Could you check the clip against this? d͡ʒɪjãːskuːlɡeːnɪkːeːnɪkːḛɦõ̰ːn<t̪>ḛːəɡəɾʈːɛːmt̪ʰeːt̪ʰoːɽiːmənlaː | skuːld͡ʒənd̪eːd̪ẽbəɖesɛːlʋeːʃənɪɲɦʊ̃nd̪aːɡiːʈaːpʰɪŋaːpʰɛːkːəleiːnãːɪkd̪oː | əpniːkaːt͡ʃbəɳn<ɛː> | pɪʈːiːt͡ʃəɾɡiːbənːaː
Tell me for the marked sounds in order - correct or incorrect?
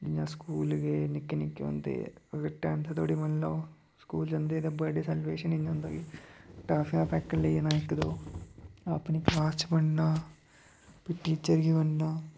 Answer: incorrect, incorrect

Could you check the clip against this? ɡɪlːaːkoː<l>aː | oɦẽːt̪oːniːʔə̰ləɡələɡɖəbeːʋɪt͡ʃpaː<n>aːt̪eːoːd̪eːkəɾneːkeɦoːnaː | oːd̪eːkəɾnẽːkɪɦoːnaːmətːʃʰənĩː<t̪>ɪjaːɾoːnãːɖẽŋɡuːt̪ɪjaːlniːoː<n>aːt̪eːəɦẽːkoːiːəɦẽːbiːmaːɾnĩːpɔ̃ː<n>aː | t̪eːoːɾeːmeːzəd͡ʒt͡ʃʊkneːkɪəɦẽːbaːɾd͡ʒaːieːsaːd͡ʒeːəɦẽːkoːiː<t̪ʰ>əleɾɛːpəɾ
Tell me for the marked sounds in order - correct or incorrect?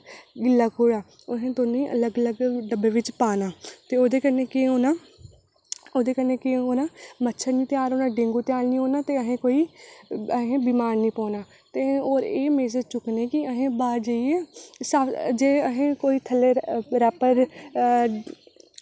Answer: incorrect, correct, correct, correct, correct, correct

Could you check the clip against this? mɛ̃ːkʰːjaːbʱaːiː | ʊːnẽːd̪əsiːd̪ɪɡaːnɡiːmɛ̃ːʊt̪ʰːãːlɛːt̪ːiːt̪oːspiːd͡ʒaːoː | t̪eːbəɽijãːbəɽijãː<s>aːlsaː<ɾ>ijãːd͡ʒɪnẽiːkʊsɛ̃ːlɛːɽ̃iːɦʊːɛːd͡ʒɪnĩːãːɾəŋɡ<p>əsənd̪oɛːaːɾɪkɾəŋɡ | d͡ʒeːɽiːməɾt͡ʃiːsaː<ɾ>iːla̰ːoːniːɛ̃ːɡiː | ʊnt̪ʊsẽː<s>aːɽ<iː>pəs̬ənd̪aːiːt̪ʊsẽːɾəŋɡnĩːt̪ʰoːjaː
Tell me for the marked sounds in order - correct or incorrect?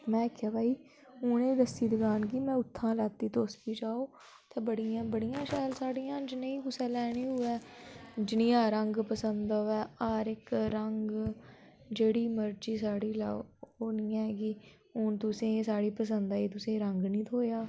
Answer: incorrect, incorrect, correct, incorrect, correct, correct

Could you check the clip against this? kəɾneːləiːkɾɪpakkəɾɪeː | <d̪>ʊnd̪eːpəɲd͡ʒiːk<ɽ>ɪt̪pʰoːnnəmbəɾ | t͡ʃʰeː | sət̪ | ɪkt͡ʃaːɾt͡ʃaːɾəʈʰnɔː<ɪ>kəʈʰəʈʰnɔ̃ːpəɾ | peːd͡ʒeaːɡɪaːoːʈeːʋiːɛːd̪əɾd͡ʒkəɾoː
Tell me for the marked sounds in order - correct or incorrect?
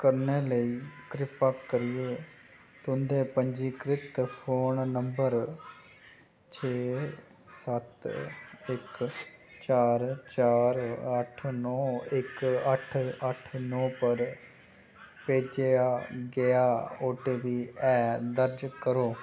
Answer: incorrect, incorrect, correct

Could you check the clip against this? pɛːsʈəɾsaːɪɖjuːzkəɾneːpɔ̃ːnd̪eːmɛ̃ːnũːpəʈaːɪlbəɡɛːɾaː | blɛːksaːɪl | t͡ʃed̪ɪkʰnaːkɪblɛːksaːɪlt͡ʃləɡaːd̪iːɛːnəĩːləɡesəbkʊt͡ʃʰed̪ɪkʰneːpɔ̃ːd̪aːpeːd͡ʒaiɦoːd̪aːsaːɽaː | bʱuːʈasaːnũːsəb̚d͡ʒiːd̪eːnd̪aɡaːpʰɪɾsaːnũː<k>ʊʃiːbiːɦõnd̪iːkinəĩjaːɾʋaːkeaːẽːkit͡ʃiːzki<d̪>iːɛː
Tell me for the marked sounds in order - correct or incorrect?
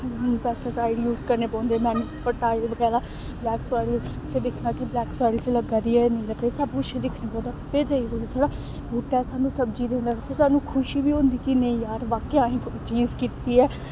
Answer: incorrect, incorrect

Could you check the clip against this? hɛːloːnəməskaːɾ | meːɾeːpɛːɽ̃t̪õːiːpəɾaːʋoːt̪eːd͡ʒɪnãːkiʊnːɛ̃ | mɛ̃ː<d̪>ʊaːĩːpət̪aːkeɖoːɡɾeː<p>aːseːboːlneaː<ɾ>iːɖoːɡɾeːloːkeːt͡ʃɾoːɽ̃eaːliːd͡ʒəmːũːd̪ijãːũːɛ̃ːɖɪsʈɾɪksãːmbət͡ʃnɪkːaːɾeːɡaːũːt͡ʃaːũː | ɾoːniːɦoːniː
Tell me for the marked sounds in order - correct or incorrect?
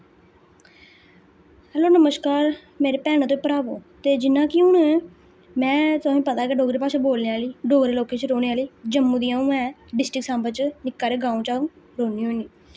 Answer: incorrect, correct, incorrect

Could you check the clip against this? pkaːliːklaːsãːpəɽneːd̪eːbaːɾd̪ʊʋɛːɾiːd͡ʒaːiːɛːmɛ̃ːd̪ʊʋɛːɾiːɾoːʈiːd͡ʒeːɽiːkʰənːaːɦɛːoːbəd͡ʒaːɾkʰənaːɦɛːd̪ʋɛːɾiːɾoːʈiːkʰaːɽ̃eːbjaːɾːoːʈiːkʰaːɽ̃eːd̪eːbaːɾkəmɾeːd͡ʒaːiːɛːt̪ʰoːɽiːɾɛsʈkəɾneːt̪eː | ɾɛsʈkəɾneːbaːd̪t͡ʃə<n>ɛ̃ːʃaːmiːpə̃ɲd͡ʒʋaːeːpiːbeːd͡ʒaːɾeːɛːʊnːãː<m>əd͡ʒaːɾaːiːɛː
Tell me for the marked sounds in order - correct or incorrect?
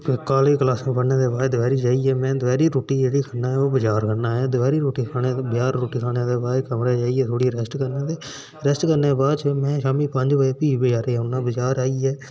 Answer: incorrect, incorrect

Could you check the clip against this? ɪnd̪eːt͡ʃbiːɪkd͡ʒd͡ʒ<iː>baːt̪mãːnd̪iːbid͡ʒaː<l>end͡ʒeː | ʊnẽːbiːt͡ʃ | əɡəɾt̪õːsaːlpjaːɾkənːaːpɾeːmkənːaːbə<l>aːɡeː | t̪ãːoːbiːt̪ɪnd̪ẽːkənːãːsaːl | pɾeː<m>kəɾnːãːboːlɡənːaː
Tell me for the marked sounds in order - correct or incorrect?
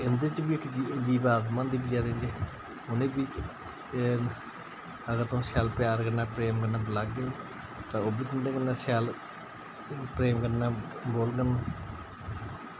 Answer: correct, incorrect, correct, correct

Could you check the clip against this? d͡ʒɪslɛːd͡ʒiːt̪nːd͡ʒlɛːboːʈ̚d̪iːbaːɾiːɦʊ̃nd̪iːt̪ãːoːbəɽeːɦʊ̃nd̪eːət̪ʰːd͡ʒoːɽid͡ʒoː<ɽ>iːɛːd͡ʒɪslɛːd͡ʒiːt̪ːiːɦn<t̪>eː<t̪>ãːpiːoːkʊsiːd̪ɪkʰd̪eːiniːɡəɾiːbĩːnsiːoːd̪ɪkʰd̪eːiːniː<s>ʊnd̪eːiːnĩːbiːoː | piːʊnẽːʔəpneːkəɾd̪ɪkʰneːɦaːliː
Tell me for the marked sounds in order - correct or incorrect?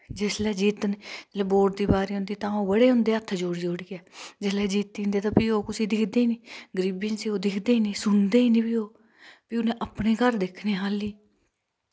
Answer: correct, incorrect, correct, correct

